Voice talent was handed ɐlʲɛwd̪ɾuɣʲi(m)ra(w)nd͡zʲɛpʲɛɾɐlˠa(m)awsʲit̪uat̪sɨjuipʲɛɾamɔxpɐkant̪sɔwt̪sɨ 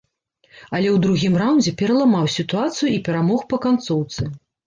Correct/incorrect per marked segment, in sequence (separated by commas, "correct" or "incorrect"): correct, correct, correct